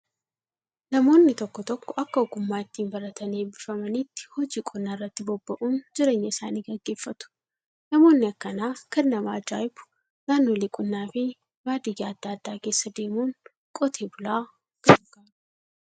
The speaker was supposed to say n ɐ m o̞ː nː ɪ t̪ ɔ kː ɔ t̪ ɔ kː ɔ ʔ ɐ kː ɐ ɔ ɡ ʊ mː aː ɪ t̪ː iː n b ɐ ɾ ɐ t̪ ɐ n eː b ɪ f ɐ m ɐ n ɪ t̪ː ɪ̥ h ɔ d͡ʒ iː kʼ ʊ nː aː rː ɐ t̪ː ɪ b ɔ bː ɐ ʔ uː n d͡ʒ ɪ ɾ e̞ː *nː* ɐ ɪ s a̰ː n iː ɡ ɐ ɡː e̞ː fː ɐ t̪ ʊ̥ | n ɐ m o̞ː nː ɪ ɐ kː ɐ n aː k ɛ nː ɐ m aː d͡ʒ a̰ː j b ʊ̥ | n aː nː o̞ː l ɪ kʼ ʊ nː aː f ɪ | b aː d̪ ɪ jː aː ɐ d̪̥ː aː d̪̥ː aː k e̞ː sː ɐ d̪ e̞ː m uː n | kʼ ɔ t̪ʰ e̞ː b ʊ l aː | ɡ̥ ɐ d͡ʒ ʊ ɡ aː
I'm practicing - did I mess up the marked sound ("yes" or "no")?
yes